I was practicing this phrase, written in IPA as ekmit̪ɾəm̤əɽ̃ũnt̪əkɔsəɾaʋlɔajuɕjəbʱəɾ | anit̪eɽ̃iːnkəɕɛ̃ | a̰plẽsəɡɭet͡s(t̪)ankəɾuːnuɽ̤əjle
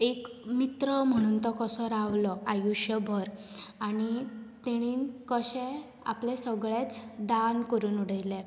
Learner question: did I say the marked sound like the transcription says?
no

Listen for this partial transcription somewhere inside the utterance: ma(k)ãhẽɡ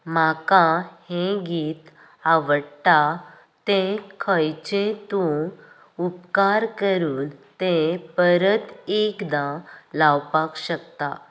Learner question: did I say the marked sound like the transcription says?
yes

